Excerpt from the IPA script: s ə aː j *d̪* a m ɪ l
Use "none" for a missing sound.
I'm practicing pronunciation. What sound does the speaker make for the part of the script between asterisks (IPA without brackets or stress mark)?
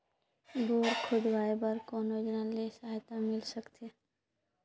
t̪